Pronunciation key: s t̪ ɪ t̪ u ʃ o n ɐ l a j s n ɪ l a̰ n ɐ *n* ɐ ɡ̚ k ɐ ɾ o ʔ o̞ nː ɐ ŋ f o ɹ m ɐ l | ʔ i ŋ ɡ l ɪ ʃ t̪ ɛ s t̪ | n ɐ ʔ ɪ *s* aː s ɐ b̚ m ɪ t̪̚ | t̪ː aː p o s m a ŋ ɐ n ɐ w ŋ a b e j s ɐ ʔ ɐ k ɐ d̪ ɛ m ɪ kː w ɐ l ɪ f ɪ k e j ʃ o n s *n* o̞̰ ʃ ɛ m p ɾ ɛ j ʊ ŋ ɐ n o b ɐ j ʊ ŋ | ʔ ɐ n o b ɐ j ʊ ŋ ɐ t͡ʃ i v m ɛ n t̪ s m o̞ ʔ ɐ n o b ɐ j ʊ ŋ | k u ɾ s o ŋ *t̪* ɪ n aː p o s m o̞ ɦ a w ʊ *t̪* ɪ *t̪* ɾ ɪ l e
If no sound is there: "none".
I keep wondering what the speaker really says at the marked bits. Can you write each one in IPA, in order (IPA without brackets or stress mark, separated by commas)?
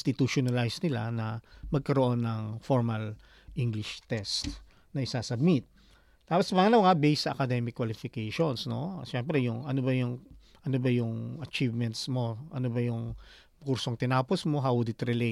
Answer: m, s, n, t̪, d̪, t̪